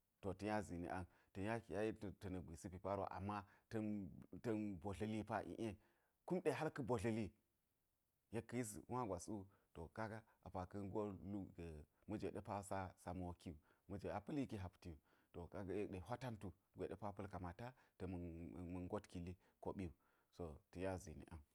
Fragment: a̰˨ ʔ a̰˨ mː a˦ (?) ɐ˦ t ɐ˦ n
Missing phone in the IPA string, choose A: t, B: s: A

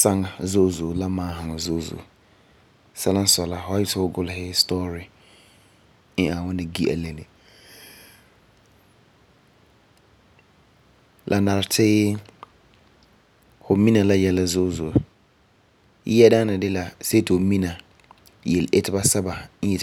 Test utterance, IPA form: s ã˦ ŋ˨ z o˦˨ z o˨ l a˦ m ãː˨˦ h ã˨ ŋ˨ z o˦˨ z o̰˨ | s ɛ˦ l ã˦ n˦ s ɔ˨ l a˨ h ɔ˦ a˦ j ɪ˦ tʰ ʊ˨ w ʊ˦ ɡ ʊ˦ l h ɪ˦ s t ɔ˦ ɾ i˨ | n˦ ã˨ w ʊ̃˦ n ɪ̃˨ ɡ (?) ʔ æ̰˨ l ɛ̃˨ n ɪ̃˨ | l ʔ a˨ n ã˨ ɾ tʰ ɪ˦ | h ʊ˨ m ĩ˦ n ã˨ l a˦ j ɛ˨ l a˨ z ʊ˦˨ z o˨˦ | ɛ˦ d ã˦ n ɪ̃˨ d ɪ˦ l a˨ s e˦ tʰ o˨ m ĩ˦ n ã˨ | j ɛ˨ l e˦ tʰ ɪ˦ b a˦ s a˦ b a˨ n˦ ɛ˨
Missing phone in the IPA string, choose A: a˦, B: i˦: B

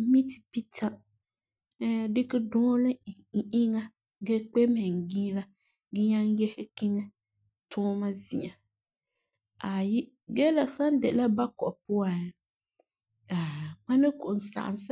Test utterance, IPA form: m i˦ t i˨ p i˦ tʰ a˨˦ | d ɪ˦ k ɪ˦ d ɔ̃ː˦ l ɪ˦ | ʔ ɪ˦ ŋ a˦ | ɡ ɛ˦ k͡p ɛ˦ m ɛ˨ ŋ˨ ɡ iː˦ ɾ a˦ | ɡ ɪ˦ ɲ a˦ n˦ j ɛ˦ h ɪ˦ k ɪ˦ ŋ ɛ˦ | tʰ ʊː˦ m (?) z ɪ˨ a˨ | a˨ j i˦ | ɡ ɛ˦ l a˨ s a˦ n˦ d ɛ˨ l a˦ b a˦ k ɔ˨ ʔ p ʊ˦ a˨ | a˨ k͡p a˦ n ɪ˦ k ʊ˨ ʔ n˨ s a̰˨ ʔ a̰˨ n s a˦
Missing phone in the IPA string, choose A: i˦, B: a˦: B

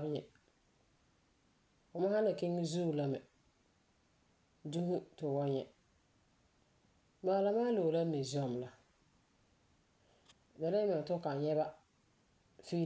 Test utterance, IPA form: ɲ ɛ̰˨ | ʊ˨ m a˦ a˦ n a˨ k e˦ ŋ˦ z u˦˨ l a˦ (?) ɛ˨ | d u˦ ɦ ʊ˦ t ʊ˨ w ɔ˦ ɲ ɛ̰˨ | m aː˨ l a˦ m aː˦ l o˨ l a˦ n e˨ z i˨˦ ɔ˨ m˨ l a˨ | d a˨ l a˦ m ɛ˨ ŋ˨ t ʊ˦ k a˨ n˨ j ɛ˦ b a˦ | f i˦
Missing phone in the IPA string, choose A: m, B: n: A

